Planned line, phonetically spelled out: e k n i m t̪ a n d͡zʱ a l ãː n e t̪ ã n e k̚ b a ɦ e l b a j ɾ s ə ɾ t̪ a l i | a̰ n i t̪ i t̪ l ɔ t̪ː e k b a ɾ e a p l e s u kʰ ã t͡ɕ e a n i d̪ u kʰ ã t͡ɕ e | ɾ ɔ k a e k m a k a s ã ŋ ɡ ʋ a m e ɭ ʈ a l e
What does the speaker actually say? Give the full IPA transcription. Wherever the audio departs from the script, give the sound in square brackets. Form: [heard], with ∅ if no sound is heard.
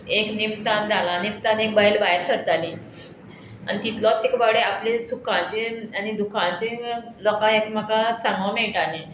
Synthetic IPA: e k n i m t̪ a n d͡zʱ a l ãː n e t̪ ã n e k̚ b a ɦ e l b a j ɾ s ə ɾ t̪ a l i | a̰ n i t̪ i t̪ l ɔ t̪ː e k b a [ɽ] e a p l e s u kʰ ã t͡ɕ e a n i d̪ u kʰ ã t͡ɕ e | [l] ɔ k a e k m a k a s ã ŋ ɡ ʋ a m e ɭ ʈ a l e